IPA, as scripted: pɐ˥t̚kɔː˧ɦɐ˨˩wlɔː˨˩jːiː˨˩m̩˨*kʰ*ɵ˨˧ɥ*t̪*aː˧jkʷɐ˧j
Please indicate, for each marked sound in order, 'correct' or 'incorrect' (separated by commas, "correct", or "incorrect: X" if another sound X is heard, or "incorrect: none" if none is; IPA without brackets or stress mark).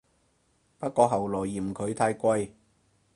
correct, incorrect: t̪ʰ